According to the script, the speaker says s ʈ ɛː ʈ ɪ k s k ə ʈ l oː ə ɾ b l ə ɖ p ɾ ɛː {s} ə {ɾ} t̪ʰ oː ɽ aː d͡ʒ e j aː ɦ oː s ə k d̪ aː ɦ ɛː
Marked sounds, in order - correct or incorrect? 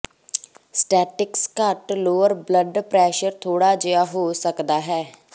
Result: incorrect, correct

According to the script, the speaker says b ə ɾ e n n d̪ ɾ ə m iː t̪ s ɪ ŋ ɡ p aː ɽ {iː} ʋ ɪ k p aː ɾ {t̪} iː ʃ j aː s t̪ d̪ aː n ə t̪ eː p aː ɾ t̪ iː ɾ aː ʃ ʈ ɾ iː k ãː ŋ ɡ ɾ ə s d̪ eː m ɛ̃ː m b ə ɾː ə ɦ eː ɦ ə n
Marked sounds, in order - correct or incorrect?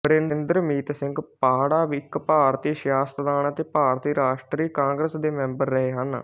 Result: incorrect, correct

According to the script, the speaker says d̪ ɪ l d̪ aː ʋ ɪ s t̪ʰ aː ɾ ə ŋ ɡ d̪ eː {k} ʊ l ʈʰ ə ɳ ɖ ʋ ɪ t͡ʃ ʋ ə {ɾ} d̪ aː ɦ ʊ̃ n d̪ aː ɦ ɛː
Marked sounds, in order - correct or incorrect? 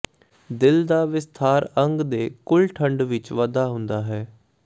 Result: correct, incorrect

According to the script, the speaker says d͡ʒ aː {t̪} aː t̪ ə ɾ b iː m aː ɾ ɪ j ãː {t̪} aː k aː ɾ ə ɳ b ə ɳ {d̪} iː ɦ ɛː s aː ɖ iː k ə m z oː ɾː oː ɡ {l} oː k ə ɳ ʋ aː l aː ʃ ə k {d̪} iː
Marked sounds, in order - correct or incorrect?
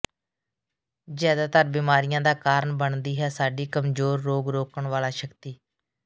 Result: incorrect, incorrect, correct, incorrect, incorrect

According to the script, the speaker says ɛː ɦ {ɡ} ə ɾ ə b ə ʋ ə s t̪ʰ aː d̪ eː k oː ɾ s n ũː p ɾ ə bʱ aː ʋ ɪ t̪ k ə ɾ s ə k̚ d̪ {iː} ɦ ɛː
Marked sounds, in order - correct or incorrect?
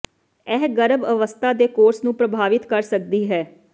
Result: correct, correct

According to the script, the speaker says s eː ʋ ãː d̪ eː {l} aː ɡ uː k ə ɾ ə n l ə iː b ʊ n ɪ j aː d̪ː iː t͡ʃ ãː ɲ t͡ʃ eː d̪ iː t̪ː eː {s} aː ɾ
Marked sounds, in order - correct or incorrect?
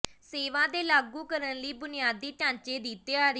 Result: correct, incorrect

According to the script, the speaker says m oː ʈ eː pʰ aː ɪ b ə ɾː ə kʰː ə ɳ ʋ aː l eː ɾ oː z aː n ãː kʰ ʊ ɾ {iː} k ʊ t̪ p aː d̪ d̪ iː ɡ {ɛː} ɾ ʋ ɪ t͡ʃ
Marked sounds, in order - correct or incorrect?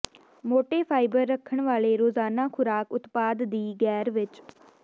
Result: incorrect, correct

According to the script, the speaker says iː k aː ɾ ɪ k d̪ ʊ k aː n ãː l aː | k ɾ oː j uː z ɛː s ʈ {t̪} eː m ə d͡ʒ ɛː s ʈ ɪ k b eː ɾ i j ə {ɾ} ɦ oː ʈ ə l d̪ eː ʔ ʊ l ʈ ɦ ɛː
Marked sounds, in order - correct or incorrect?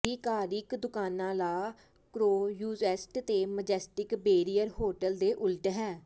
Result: correct, correct

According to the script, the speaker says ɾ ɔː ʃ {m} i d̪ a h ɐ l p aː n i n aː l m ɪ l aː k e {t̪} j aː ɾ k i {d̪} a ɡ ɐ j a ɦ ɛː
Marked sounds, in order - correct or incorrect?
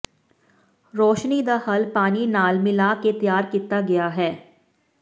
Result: incorrect, correct, incorrect

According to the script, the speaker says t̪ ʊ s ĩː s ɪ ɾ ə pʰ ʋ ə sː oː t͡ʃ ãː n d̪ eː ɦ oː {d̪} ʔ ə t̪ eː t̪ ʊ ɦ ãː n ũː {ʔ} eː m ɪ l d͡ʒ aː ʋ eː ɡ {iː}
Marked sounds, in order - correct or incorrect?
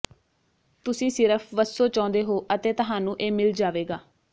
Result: incorrect, correct, incorrect

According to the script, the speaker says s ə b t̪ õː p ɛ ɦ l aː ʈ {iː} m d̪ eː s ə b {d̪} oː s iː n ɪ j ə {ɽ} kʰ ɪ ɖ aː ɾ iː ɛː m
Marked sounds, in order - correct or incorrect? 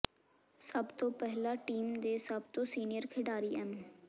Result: correct, incorrect, incorrect

